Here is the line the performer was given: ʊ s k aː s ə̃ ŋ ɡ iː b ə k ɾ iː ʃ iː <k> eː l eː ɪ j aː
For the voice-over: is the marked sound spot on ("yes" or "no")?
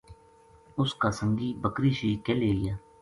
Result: yes